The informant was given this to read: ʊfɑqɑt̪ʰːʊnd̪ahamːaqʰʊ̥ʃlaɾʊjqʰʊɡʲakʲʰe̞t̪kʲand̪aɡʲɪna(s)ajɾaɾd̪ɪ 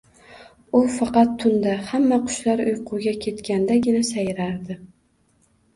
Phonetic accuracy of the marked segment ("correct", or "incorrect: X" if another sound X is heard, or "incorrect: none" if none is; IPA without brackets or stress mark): correct